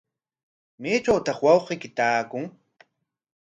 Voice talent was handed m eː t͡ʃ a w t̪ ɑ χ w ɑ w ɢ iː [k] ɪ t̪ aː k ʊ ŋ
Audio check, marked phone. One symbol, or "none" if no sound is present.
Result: k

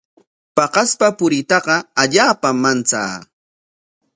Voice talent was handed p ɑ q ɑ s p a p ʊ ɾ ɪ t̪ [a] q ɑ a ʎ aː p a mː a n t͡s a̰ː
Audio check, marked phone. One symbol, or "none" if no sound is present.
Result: ɑ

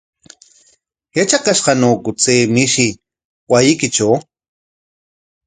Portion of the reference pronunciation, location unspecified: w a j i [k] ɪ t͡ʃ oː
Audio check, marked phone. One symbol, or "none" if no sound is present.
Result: k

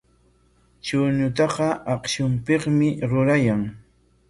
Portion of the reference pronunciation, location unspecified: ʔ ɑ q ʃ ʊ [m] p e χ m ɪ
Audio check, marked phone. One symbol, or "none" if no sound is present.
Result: m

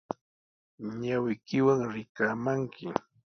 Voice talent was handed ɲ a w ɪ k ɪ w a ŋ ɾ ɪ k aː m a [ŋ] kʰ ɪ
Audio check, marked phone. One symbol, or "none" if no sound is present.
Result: ŋ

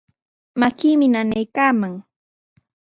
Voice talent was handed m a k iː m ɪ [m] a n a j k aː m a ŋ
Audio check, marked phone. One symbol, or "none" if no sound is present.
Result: n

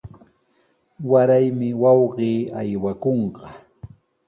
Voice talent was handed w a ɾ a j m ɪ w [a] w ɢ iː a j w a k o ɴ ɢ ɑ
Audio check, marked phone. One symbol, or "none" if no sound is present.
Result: ɑ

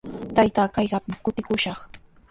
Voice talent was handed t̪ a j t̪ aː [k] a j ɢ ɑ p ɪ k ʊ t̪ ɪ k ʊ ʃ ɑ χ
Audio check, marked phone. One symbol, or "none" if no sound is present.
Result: k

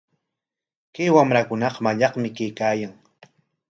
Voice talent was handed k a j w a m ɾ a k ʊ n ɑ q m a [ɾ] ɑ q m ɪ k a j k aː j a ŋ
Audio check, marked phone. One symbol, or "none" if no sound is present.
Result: ʎ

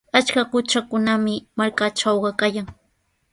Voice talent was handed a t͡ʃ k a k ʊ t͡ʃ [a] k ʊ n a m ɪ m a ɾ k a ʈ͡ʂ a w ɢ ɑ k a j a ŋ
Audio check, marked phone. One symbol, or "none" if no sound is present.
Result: a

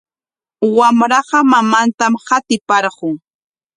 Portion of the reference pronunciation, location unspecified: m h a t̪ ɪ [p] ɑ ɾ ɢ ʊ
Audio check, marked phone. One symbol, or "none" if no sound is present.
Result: p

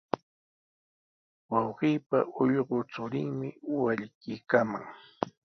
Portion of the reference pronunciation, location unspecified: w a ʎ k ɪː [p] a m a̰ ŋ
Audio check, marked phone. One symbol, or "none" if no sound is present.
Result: k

